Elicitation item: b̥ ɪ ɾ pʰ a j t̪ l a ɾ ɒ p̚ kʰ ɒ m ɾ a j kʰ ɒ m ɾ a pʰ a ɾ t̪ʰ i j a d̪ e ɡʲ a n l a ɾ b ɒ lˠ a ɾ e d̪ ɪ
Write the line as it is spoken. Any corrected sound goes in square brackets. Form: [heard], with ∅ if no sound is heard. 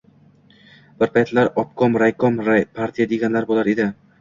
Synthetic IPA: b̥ ɪ ɾ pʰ a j t̪ l a ɾ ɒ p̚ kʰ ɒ m ɾ a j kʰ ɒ m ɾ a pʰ a ɾ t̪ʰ i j a d̪ e ɡʲ a n l a ɾ b [o] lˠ a ɾ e d̪ ɪ